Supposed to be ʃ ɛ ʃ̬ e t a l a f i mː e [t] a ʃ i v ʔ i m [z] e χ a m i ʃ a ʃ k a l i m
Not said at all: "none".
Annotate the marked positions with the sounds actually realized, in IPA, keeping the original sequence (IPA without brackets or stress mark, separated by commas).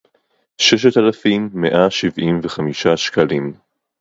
ʔ, v